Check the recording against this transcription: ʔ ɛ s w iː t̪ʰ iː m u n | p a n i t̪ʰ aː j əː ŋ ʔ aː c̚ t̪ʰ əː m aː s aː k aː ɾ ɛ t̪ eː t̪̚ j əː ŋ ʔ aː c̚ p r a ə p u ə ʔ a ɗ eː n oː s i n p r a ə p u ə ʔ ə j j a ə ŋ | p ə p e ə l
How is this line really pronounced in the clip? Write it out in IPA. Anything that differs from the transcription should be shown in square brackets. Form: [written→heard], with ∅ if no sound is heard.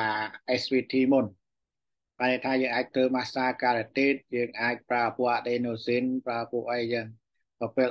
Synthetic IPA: ʔ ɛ s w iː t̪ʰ iː m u n | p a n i t̪ʰ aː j əː ŋ ʔ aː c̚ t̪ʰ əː m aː s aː k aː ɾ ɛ t̪ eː t̪̚ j əː ŋ ʔ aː c̚ p r a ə p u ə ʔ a ɗ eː n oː s i n p r a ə p u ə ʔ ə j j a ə ŋ | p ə p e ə l